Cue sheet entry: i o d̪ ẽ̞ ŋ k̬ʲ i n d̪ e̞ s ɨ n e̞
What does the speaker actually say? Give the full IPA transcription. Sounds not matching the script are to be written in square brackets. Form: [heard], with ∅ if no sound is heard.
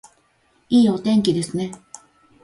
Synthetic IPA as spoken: [iː] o [t̪] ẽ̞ ŋ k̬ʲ i [∅] d̪ e̞ s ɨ n e̞